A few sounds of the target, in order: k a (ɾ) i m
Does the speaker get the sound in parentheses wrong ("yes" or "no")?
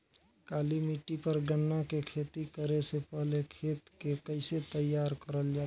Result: yes